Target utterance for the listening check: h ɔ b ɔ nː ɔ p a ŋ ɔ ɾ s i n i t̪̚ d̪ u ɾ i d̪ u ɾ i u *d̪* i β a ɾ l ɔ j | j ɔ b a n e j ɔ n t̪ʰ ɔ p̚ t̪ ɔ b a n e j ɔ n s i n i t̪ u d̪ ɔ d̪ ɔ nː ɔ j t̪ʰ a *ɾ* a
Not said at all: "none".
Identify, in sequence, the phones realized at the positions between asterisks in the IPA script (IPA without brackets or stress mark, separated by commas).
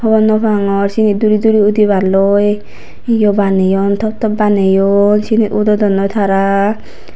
d̪, ɾ